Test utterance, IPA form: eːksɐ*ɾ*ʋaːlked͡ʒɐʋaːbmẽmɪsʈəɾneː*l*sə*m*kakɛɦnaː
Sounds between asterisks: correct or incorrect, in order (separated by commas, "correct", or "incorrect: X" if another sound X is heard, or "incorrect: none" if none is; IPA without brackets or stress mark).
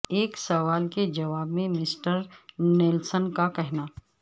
incorrect: none, correct, incorrect: n